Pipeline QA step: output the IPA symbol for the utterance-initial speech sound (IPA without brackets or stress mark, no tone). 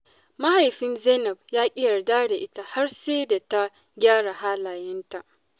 m